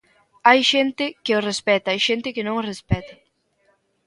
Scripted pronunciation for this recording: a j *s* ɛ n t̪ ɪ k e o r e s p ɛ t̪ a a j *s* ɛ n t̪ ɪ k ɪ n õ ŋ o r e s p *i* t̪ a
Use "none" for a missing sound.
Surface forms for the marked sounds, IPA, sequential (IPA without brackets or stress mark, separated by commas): ʃ, ʃ, ɛ